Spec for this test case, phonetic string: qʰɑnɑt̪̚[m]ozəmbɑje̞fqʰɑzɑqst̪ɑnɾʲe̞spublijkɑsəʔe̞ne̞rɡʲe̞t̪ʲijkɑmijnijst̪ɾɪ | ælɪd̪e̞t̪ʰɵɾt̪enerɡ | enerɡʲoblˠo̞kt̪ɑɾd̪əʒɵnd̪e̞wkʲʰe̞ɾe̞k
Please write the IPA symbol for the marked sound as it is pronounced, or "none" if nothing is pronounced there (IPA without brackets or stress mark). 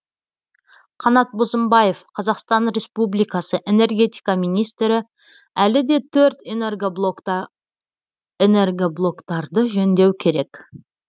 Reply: b